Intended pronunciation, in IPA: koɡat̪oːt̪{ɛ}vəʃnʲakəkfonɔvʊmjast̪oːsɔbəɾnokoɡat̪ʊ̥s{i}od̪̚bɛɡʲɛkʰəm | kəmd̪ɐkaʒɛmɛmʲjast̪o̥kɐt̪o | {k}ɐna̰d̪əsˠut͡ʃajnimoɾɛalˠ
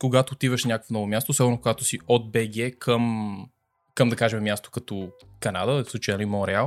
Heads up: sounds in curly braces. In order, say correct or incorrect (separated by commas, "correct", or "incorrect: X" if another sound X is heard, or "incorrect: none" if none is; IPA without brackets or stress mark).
incorrect: i, correct, correct